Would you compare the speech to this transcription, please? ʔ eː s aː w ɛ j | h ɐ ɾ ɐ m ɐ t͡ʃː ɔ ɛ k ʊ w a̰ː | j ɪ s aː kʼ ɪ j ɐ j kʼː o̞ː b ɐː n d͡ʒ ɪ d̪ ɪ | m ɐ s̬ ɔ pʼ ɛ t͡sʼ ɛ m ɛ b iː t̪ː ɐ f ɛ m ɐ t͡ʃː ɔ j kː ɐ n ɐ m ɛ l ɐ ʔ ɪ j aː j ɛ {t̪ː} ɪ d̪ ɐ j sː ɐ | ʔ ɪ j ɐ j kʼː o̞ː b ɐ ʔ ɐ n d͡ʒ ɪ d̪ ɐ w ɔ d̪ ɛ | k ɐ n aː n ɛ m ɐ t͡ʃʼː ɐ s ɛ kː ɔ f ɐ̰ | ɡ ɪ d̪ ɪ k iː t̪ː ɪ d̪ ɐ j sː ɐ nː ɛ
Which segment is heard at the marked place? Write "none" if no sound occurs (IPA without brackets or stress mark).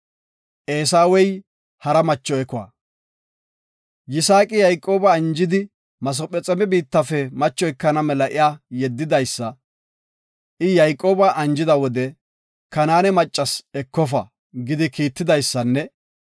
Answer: d̪ː